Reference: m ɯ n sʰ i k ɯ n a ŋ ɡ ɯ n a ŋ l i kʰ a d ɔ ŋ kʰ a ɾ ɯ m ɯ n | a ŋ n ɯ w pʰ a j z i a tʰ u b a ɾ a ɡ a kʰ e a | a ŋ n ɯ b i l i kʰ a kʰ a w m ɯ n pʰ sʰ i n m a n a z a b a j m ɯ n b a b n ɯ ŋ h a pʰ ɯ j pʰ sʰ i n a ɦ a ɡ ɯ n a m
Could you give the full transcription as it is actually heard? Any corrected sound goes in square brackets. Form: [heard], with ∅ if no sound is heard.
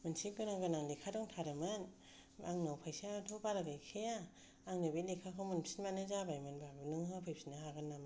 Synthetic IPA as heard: m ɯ n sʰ i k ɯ n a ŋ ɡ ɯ n a ŋ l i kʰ a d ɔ ŋ [tʰ] a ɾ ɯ m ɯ n | a ŋ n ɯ w pʰ a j [s] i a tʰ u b a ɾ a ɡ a kʰ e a | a ŋ n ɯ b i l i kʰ a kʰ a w m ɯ n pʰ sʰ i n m a n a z a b a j m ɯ n b a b n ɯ ŋ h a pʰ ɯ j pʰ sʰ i n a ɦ a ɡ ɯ n a m

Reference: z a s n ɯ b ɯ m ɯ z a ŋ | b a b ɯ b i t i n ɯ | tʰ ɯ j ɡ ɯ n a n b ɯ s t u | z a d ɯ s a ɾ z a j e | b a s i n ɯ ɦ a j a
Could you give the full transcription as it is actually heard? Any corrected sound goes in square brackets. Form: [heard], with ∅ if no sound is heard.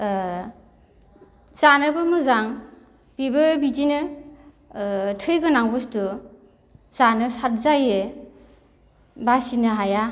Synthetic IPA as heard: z a [∅] n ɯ b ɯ m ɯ z a ŋ | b [i] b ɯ b i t i n ɯ | tʰ ɯ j ɡ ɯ n a [ŋ] b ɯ s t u | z a [n] ɯ s a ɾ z a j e | b a s i n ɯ ɦ a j a

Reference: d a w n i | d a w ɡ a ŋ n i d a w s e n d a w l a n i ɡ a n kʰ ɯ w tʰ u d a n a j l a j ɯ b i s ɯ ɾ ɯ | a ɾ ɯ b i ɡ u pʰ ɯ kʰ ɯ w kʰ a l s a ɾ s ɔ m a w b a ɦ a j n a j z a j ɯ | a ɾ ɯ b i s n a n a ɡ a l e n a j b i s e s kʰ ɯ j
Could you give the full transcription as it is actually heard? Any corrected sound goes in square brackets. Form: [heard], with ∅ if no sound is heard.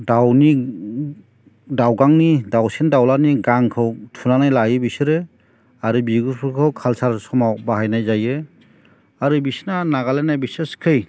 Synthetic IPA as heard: d a w n i | d a w ɡ a ŋ n i d a w s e n d a w l a n i ɡ a [ŋ] kʰ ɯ w tʰ u [n] a n a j l a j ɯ b i s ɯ ɾ ɯ | a ɾ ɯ b i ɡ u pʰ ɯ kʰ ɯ w kʰ a l s a ɾ s ɔ m a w b a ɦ a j n a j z a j ɯ | a ɾ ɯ b i s n a n a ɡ a l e n a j b i s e s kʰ ɯ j

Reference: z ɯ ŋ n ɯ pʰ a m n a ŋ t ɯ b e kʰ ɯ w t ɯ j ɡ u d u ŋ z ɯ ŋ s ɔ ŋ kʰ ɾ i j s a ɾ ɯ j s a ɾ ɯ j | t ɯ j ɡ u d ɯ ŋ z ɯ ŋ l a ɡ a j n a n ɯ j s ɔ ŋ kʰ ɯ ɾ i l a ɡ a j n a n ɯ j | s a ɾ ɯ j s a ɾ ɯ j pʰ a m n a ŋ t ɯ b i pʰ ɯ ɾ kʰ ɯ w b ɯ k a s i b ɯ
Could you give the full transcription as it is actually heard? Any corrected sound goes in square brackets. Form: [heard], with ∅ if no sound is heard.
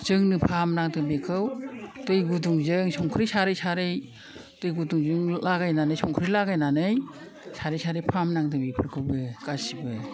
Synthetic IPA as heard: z ɯ ŋ n ɯ pʰ a m n a ŋ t ɯ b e kʰ ɯ w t ɯ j ɡ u d u ŋ z ɯ ŋ s ɔ ŋ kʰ ɾ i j s a ɾ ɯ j s a ɾ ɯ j | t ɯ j ɡ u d [u] ŋ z ɯ ŋ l a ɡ a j n a n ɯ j s ɔ ŋ kʰ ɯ ɾ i l a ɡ a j n a n ɯ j | s a ɾ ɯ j s a ɾ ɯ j pʰ a m n a ŋ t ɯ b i pʰ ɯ ɾ kʰ ɯ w b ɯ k a s i b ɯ

